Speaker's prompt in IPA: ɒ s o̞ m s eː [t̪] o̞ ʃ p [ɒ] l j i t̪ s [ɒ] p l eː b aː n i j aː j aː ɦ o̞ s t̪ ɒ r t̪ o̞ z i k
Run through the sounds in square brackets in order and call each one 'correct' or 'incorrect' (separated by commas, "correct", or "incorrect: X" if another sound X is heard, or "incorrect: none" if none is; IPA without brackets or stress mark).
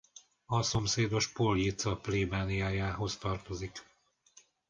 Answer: incorrect: d̪, incorrect: o, correct